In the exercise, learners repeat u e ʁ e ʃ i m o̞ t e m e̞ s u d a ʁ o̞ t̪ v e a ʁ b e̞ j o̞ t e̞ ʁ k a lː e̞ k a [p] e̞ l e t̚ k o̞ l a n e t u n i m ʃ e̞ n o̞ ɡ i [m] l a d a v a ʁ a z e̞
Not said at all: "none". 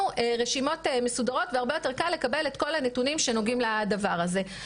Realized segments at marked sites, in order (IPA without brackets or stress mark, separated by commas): b, m